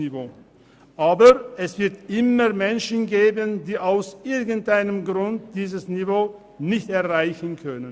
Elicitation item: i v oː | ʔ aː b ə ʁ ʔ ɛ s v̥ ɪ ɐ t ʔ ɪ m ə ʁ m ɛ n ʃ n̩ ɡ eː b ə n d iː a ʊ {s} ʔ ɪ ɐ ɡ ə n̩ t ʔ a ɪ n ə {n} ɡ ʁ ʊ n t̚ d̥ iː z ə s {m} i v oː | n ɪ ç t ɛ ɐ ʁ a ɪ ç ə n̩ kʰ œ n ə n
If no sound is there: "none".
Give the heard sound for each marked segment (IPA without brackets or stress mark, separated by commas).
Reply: s, m, n